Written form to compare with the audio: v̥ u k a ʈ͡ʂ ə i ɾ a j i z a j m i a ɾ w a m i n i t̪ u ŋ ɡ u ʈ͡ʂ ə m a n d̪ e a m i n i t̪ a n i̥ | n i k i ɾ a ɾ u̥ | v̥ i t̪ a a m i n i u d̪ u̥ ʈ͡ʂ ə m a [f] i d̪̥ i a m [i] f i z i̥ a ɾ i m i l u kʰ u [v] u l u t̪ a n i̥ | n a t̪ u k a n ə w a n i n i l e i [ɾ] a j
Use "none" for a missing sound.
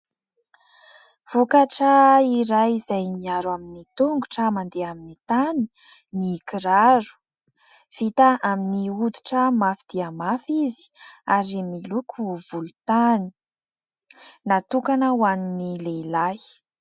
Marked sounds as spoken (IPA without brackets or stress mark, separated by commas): f, a, v, l